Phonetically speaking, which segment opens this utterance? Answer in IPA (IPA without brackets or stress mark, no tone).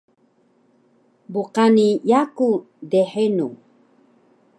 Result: b